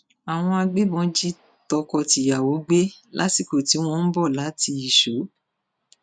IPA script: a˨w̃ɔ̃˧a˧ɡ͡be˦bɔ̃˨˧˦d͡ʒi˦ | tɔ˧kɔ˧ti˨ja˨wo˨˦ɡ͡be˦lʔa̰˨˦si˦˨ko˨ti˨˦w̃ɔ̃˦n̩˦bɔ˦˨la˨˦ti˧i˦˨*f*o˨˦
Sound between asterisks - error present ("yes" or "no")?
yes